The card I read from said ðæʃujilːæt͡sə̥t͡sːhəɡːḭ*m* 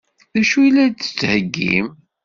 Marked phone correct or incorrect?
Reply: correct